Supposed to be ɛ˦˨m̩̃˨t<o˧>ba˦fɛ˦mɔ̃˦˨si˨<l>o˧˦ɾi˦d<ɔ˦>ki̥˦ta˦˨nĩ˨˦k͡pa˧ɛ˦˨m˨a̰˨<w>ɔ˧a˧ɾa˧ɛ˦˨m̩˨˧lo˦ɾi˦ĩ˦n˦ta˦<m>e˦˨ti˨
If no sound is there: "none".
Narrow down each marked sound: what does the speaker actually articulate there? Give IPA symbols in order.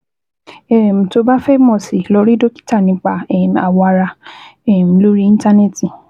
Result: o˧, l, o˦, w, n

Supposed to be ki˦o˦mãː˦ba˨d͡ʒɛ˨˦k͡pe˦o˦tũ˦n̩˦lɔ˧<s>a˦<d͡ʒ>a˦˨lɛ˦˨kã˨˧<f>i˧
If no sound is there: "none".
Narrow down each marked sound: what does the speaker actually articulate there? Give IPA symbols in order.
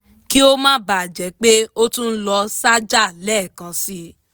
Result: s, d͡ʒ, s

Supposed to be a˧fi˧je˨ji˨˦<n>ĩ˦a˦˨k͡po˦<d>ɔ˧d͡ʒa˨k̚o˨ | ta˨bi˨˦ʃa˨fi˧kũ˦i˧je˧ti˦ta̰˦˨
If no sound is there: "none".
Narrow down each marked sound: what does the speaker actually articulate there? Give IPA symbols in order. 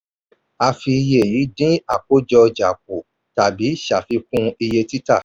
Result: d, d͡ʒ

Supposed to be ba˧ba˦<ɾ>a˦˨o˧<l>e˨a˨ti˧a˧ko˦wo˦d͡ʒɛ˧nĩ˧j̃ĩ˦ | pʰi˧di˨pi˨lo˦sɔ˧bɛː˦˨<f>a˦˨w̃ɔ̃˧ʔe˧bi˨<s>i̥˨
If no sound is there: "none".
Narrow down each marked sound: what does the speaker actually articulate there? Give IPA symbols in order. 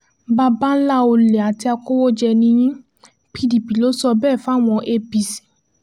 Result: l, l, f, s

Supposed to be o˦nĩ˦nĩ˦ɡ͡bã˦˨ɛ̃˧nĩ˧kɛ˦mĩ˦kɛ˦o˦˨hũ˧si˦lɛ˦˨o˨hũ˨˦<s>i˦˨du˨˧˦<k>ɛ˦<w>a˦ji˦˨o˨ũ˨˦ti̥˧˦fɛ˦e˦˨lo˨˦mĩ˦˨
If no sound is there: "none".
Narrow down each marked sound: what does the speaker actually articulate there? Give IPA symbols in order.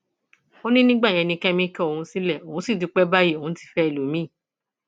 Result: s, k͡p, b

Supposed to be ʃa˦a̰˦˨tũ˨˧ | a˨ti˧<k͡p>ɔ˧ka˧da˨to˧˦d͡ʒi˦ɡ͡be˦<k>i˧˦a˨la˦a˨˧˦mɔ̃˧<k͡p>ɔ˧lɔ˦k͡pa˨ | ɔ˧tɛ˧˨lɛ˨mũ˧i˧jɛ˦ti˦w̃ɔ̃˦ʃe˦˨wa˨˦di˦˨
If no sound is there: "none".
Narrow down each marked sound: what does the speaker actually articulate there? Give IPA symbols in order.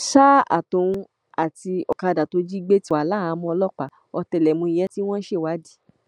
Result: none, t, none

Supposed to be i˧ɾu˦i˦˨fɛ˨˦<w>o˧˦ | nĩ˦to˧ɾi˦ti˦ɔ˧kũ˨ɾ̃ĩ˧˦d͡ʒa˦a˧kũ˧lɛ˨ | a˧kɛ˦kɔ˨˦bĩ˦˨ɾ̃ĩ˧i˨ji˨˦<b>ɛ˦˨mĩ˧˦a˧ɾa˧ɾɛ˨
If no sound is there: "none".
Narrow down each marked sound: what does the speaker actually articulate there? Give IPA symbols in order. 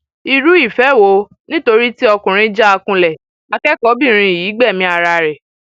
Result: w, ɡ͡b

